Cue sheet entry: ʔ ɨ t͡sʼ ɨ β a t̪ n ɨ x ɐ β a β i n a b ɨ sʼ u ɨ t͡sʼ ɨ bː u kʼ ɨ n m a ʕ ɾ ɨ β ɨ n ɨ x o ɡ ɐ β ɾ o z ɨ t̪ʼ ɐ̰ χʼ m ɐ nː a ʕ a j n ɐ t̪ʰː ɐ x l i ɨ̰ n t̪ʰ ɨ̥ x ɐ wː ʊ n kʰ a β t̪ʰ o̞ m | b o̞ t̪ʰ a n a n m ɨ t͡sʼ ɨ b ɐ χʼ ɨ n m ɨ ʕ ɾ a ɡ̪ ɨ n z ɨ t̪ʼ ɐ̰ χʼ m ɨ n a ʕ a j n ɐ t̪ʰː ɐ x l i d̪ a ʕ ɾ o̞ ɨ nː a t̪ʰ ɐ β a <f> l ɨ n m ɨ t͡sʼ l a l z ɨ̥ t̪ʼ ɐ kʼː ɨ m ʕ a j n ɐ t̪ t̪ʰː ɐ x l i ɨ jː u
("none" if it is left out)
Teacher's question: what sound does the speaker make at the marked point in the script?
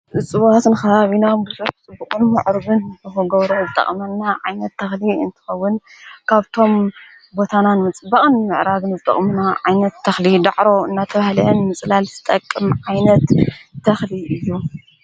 h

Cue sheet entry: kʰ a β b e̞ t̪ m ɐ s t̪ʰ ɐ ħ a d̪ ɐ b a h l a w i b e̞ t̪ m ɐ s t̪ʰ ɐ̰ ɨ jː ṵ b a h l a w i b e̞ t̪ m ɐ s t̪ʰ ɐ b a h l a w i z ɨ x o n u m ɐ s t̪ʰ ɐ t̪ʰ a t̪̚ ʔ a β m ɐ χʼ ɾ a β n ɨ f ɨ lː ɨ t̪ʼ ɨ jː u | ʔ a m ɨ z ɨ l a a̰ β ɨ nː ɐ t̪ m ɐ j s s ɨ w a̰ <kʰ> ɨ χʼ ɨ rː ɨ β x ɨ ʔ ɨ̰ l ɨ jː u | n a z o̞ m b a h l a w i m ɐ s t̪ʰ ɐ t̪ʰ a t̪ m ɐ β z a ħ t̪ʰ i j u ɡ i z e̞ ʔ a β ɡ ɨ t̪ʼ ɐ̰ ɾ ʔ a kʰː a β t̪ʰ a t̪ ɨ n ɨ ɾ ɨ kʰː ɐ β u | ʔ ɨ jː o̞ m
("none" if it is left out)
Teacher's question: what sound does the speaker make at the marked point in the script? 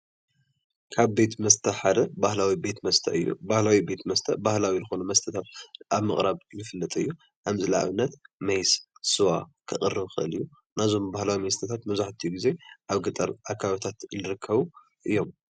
kʰ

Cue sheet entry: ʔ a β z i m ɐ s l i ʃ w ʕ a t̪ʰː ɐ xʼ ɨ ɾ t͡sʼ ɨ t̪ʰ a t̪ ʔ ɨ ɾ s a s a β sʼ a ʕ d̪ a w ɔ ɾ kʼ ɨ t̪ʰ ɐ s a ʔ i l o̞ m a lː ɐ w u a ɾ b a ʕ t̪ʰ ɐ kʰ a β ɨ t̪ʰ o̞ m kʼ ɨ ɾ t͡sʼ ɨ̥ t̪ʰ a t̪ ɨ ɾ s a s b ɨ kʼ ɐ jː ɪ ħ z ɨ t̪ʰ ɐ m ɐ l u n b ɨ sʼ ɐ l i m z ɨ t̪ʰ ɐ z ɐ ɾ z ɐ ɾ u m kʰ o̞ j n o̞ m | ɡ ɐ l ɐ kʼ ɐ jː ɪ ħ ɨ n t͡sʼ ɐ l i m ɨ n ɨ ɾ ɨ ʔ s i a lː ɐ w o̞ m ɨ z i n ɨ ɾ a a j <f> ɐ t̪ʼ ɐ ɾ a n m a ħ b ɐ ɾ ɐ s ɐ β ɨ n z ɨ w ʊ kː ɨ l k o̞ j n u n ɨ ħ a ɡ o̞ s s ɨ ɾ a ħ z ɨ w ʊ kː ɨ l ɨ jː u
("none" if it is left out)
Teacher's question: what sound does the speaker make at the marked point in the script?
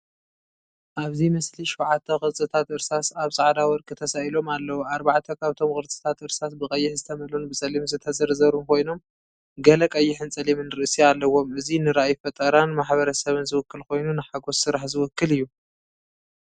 f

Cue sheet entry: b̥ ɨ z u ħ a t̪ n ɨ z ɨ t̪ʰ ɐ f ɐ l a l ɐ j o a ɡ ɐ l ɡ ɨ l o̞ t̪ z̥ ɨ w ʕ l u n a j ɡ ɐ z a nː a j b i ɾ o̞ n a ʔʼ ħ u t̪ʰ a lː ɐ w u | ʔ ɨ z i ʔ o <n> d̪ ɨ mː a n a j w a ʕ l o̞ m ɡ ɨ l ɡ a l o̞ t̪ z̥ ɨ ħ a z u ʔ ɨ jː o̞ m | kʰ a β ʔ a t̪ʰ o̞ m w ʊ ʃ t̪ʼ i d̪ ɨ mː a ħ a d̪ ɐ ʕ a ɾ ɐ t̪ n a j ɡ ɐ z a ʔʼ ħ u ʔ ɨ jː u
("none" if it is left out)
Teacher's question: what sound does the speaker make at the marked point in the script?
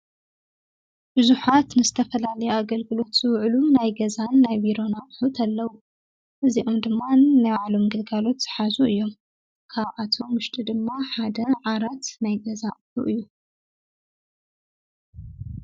m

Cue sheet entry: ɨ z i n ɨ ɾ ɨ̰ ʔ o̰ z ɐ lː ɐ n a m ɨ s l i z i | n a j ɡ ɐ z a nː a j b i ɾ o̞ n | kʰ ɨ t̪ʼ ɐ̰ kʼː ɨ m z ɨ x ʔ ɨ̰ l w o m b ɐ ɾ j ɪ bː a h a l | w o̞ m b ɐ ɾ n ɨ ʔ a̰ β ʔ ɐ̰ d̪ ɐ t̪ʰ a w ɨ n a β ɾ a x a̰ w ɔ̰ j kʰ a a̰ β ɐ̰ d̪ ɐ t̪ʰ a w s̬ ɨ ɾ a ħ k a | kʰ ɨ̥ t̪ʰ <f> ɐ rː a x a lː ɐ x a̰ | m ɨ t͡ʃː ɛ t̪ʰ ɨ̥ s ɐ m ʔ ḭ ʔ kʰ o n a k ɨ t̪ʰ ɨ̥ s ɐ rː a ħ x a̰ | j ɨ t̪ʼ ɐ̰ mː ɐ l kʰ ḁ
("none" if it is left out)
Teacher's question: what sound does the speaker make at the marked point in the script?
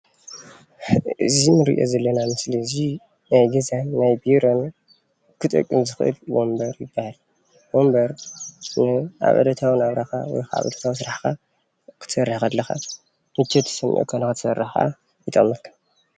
s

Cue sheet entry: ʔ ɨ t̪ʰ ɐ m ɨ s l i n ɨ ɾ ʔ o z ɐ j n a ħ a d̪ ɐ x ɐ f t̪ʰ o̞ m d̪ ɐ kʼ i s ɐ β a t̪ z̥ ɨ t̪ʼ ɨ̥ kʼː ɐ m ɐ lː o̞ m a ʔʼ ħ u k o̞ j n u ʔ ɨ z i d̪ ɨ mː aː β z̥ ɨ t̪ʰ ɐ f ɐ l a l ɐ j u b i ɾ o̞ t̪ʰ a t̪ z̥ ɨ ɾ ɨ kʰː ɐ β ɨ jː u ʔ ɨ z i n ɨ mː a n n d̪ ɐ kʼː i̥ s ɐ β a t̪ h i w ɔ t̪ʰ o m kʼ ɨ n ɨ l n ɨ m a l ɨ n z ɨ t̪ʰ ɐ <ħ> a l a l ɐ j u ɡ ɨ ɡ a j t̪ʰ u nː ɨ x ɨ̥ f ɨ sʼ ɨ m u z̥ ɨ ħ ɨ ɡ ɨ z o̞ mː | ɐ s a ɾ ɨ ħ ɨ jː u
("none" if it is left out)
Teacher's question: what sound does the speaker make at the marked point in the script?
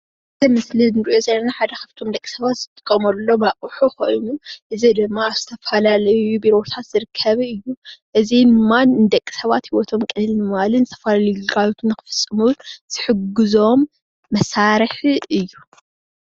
f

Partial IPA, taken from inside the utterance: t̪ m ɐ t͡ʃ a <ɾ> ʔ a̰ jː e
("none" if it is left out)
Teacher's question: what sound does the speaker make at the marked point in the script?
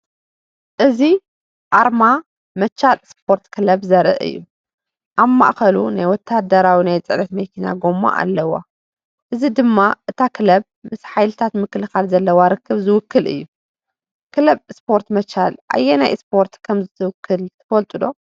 l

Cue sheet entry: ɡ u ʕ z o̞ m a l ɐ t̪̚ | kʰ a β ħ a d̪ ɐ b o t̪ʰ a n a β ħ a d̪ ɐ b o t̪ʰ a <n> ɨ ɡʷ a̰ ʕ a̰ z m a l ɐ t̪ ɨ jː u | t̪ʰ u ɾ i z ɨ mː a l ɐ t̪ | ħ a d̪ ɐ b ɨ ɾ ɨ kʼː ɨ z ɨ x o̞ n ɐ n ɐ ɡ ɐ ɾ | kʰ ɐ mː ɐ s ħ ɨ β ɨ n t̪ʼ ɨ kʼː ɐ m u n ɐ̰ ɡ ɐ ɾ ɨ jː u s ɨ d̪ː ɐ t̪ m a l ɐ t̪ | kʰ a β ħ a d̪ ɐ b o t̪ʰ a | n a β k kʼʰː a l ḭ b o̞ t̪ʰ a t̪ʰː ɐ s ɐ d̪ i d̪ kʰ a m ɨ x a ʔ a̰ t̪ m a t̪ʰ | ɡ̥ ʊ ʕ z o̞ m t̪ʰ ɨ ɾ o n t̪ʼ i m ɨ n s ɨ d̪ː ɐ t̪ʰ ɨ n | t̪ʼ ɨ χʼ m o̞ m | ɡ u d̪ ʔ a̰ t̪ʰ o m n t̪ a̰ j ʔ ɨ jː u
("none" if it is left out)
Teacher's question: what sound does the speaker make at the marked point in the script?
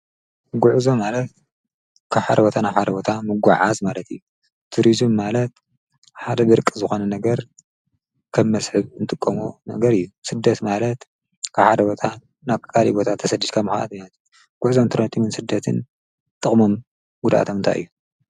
m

